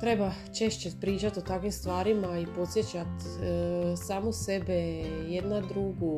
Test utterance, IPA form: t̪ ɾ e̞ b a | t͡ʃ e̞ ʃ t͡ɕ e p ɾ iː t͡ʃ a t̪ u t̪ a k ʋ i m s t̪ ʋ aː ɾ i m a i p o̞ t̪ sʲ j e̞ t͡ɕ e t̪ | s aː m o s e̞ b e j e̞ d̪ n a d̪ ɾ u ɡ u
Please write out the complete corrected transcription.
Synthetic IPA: t̪ ɾ e̞ b a | t͡ʃ e̞ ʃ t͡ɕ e p ɾ iː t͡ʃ a t̪ o t̪ a k ʋ i m s t̪ ʋ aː ɾ i m a i p o̞ t̪ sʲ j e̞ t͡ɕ a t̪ | s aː m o s e̞ b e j e̞ d̪ n a d̪ ɾ u ɡ u